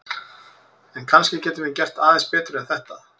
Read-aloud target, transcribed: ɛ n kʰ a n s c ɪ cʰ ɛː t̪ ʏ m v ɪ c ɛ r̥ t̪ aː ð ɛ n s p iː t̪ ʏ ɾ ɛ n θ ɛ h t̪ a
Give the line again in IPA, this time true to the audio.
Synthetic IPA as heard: ɛ n kʰ a n s c ɪ c ɛː t̪ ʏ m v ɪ c ɛ r̥ t̪ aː ð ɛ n s p ɛː t̪ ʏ ɾ ɛ n θ ɛ h t̪ a